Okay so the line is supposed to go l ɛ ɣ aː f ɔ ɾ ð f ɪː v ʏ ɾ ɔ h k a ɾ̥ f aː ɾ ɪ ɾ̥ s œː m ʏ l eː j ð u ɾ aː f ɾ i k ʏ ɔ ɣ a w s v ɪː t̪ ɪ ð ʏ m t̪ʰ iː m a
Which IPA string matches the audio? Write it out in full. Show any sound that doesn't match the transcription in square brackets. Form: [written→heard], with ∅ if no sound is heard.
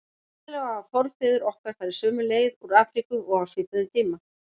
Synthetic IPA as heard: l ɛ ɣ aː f ɔ ɾ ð f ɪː [v→ð] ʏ ɾ ɔ h k a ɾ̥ f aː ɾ ɪ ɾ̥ s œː m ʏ l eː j ð u ɾ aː f ɾ i k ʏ ɔ ɣ a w s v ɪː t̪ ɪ ð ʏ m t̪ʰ iː m a